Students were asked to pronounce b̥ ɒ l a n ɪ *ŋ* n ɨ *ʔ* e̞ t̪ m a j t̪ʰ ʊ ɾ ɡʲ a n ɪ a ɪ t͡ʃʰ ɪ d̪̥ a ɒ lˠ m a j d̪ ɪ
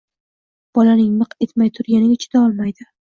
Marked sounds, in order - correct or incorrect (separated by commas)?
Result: correct, incorrect